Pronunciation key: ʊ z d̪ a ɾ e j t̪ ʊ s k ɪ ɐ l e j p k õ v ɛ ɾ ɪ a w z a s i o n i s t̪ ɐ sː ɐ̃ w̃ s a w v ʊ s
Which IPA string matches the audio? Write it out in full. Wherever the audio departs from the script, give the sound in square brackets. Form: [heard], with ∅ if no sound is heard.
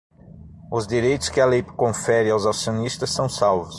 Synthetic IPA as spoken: ʊ z d̪ [i] ɾ e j t̪ ʊ s k ɪ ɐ l e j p k õ [f] ɛ ɾ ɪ a w z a s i o n i s t̪ ɐ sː ɐ̃ w̃ s a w v ʊ s

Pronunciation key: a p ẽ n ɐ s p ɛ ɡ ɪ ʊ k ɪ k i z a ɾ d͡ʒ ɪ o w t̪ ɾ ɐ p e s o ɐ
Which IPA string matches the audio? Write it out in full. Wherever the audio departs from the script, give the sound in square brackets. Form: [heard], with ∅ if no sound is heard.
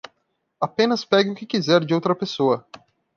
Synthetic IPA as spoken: a p ẽ n ɐ s p ɛ ɡ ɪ ʊ k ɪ k i z [ɛ] ɾ d͡ʒ ɪ o w t̪ ɾ ɐ p e s o ɐ

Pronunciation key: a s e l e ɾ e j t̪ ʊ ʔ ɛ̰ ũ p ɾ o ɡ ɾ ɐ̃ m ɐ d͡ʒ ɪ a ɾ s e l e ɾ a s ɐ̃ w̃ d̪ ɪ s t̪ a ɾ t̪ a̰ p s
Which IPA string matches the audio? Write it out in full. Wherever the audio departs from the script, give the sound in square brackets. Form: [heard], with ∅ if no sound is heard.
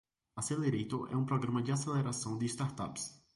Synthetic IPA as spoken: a s e l e ɾ e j t̪ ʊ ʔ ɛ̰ ũ p ɾ o ɡ ɾ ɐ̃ m ɐ d͡ʒ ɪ a [∅] s e l e ɾ a s ɐ̃ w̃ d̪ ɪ s t̪ a ɾ t̪ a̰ p s

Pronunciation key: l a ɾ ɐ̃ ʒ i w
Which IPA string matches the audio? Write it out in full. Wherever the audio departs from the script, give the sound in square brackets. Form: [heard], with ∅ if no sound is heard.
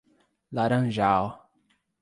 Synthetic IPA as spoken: l a ɾ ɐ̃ ʒ [a] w

